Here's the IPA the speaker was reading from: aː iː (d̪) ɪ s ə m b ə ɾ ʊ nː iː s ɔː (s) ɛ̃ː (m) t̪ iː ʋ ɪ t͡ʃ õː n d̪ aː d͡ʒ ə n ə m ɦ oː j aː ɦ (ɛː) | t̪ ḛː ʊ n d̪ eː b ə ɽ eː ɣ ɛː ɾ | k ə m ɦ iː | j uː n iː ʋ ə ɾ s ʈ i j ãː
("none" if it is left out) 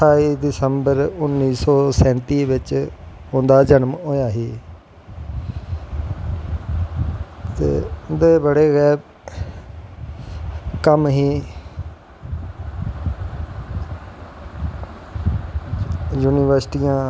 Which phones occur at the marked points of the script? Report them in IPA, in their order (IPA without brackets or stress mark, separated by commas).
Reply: d̪, s, n, iː